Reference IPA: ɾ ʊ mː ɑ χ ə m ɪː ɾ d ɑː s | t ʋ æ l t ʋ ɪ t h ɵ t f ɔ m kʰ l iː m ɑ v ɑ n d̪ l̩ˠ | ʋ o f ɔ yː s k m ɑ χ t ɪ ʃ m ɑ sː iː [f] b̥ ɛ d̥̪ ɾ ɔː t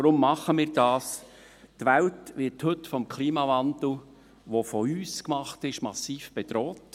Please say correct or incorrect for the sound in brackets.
correct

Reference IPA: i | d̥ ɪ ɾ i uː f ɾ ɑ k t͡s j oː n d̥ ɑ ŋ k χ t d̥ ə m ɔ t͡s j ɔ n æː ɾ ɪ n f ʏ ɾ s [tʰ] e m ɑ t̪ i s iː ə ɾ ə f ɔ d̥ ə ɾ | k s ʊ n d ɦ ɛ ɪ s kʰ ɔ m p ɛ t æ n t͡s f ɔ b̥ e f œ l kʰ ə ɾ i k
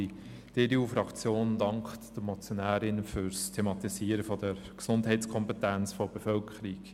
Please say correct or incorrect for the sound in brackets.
correct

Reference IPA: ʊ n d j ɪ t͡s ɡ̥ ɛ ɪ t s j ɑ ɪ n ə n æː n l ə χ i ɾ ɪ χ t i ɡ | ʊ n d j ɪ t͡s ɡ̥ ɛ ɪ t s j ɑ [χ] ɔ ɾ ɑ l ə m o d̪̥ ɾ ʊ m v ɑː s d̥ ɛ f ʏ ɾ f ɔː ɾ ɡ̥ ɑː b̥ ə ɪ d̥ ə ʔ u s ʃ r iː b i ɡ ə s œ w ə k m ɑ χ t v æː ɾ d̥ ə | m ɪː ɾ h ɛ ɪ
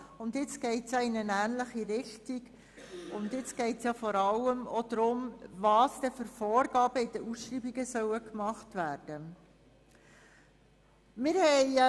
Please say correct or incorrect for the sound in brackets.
incorrect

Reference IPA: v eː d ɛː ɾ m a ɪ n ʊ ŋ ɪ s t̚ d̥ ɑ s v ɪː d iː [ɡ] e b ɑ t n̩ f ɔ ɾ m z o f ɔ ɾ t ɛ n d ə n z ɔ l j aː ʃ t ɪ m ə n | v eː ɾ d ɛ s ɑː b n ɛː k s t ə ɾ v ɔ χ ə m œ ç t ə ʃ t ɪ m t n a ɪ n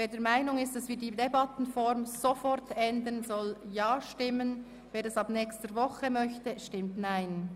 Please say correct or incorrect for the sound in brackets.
incorrect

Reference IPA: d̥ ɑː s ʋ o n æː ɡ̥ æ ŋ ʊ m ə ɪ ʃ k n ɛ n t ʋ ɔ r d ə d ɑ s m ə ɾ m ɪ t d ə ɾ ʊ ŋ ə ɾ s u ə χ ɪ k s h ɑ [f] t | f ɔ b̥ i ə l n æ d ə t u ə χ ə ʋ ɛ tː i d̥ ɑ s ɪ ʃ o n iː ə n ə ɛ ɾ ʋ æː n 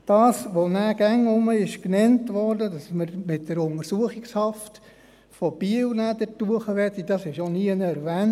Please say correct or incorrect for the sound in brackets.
correct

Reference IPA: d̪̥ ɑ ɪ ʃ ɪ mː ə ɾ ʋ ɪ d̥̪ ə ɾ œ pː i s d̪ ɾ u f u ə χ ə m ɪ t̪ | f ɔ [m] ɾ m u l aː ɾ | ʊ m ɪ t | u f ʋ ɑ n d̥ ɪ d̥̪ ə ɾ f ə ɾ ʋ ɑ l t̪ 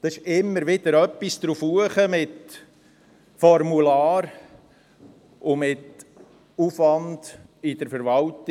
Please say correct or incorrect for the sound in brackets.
incorrect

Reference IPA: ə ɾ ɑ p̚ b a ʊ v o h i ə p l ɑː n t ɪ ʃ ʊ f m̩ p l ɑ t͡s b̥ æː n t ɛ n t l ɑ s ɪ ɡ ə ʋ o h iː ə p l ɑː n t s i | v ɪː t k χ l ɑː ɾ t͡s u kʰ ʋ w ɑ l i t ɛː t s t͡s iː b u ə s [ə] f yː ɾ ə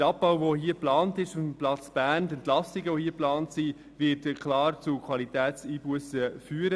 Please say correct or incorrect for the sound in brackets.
correct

